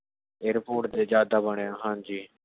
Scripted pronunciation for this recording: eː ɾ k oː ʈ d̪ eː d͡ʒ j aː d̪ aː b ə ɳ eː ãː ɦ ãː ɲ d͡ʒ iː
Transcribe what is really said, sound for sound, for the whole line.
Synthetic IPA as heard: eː ɾ p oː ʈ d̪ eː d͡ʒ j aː d̪ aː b ə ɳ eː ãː ɦ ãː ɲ d͡ʒ iː